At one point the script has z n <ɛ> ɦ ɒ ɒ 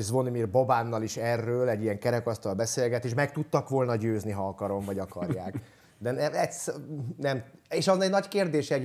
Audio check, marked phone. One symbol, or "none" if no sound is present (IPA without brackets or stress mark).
i